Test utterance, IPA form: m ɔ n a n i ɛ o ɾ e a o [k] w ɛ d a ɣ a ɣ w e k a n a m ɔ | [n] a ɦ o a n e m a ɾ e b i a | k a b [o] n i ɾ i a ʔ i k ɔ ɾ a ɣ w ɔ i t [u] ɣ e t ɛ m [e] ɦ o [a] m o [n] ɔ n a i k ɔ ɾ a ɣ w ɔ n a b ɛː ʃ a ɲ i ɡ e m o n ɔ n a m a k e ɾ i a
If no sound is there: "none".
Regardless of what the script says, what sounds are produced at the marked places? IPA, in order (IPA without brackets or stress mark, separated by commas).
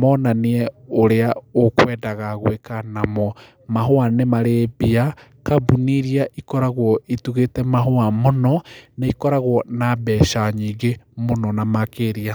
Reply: k, m, u, u, a, a, n